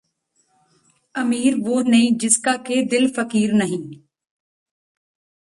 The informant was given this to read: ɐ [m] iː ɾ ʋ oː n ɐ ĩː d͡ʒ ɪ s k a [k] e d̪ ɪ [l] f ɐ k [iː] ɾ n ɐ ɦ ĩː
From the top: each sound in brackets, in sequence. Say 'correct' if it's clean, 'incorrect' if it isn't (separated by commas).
correct, correct, correct, correct